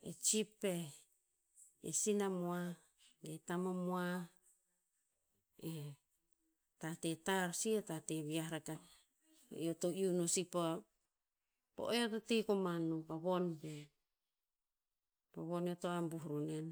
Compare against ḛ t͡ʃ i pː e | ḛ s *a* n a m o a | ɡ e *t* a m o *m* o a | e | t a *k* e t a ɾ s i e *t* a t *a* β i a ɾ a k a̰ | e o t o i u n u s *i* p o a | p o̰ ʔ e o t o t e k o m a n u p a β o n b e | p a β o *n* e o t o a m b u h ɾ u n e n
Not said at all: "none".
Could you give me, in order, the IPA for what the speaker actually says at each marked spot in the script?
i, t, m, t, t, e, i, n

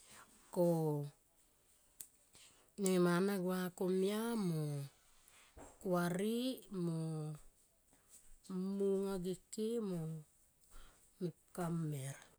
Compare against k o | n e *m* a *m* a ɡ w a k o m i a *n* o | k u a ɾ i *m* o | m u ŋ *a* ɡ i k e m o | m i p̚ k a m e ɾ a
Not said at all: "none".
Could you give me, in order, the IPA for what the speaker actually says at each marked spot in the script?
m, n, m, m, a

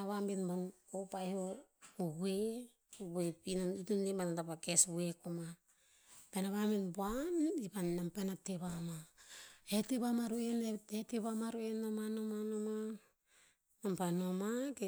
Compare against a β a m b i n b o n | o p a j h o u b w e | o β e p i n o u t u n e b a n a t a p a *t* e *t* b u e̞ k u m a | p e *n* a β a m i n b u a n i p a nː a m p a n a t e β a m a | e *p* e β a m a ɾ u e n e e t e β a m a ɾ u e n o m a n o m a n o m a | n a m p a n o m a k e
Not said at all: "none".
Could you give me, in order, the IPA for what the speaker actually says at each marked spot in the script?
k, s, n, t

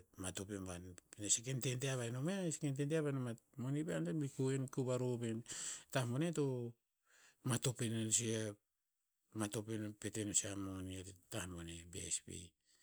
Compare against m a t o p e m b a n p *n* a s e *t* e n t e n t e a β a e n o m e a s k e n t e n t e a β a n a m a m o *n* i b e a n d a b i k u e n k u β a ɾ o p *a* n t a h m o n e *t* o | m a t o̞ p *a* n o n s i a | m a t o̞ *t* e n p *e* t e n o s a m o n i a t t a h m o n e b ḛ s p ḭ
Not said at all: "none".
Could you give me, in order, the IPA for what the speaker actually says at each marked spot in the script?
n, k, n, e, t, e, p, e

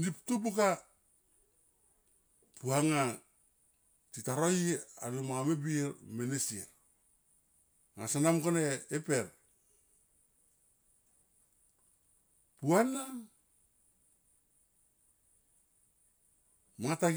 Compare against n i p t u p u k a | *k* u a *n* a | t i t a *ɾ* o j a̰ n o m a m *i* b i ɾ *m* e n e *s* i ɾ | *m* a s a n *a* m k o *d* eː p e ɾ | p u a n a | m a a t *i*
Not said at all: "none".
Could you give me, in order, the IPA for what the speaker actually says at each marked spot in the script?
p, ŋ, ɾ, e, m, s, ŋ, a, n, a

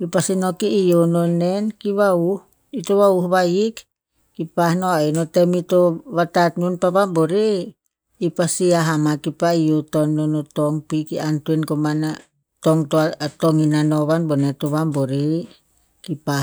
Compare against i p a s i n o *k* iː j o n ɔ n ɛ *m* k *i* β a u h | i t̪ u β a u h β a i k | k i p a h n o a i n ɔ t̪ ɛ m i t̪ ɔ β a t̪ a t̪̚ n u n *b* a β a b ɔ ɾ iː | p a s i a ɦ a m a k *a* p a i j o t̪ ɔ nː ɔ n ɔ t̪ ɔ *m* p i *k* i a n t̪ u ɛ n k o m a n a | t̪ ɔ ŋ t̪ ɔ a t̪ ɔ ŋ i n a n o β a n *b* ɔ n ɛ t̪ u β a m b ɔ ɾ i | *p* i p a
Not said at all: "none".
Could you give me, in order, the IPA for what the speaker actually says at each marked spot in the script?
k, n, i, p, i, ŋ, k, b, k

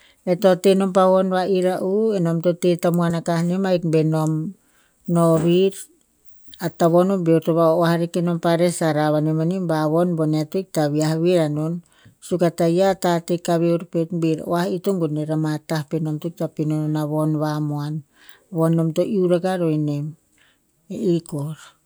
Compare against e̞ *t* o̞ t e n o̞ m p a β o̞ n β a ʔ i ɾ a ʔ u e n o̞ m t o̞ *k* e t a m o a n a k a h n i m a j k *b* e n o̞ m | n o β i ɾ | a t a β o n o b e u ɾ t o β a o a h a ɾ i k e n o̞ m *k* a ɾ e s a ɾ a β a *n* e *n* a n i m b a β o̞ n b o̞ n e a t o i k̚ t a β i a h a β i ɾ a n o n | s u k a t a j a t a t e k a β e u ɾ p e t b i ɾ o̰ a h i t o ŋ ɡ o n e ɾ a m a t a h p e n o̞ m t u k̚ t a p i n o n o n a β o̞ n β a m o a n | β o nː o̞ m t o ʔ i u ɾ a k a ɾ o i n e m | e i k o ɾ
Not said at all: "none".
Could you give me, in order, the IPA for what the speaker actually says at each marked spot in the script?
t, t, b, p, n, m

